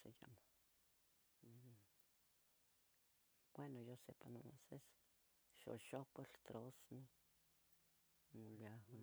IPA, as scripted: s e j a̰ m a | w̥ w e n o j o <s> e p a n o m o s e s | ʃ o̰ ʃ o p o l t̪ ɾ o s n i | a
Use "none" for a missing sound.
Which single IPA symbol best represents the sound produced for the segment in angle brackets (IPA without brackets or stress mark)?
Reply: s